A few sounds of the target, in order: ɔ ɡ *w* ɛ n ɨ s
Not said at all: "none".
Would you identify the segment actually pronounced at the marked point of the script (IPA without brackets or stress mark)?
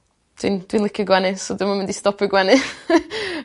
w